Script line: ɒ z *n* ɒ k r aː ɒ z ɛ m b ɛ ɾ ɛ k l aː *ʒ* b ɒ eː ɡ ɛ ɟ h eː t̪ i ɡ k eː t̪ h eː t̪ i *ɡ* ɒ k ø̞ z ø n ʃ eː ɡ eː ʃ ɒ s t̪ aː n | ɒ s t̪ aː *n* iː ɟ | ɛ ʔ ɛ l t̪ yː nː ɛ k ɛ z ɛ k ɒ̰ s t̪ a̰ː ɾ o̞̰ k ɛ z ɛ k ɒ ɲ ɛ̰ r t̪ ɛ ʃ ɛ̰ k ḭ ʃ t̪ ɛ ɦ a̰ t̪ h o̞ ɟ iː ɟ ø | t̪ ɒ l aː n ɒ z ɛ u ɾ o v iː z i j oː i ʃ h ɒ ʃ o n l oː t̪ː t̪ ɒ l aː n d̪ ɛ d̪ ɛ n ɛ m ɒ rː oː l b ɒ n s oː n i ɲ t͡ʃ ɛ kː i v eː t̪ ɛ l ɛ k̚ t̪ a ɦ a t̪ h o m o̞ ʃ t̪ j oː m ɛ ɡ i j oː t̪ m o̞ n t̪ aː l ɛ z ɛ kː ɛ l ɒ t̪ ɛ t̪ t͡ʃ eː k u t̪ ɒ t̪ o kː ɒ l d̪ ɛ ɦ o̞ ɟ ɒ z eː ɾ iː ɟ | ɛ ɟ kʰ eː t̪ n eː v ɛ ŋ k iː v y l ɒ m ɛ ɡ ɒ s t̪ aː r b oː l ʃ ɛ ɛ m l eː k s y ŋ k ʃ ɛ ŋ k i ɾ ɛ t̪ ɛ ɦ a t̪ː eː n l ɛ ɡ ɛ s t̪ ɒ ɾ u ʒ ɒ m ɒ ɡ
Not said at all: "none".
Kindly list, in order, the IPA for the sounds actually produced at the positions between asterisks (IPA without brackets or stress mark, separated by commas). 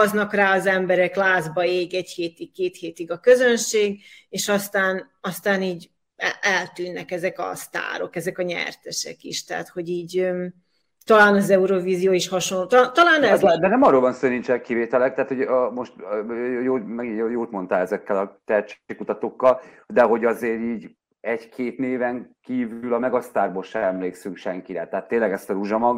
n, z, ɡ, n